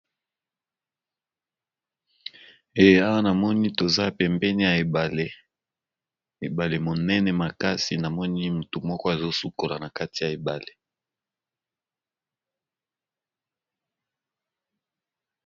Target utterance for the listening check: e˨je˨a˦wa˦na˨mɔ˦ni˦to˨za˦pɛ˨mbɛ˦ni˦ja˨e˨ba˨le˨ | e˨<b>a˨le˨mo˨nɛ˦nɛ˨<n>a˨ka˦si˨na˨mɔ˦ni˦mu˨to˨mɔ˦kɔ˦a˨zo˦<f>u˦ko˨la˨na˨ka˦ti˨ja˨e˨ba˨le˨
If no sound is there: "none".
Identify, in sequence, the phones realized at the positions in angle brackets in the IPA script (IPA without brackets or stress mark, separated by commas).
b, m, s